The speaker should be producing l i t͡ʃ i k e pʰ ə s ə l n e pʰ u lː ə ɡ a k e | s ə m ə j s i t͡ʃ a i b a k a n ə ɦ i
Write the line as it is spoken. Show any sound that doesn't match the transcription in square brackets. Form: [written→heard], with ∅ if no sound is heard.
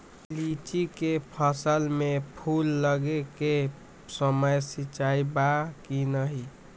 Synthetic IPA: l i t͡ʃ i k e pʰ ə s ə l [n→m] e pʰ u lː ə ɡ [a→e] k e | s ə m ə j s i t͡ʃ a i b a k [a→i] n ə ɦ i